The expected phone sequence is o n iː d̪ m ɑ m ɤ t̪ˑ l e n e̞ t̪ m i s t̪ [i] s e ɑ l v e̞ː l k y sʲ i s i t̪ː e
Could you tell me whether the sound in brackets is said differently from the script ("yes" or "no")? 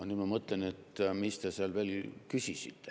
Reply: yes